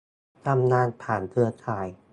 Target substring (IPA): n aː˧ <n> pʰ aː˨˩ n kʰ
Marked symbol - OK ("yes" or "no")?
yes